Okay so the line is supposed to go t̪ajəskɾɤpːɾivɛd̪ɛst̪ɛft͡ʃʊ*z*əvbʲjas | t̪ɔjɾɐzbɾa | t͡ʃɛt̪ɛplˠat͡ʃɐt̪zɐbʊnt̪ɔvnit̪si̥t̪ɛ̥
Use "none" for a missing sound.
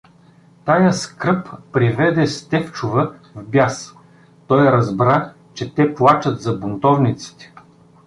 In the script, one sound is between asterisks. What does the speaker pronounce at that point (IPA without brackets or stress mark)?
v